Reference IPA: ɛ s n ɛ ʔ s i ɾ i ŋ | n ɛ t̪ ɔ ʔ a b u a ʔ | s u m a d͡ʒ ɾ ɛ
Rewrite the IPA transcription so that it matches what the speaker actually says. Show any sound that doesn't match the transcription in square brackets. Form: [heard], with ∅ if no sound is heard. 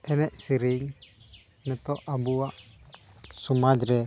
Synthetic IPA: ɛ [∅] n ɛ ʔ s i ɾ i ŋ | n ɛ t̪ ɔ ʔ a b u a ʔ | s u m a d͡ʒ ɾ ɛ